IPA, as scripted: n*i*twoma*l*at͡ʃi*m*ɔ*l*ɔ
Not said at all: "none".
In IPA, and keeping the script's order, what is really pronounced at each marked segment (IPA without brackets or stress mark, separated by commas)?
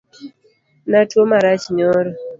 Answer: a, ɾ, ɲ, ɾ